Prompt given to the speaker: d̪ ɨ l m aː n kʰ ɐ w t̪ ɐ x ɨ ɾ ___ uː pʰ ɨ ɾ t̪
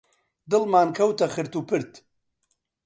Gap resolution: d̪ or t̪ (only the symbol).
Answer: t̪